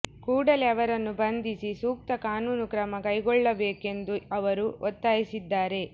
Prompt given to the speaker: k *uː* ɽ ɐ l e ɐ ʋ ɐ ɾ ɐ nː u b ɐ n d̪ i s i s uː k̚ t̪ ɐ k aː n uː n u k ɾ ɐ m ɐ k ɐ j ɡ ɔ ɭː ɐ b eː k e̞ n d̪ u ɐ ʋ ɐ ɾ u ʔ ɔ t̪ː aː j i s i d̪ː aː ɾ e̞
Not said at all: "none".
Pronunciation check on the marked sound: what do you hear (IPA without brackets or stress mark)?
uː